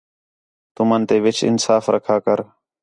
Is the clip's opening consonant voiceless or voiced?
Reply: voiceless